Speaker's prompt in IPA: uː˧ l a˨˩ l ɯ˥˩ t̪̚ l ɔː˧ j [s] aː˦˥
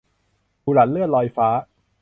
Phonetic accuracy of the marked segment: incorrect: f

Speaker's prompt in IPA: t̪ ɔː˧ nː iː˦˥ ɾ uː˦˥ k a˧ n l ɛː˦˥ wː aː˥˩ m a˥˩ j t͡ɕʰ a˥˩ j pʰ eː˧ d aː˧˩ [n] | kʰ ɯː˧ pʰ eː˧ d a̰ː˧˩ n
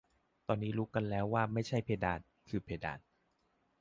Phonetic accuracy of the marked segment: correct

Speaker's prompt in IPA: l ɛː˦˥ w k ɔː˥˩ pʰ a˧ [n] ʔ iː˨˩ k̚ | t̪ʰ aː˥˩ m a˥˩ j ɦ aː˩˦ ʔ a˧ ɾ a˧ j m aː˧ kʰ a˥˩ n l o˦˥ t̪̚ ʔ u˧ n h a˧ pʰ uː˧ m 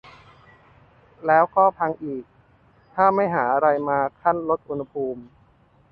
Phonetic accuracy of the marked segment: incorrect: ŋ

